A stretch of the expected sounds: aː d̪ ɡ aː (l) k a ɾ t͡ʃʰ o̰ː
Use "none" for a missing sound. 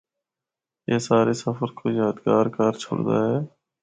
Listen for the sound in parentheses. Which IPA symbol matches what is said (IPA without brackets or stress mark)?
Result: ɾ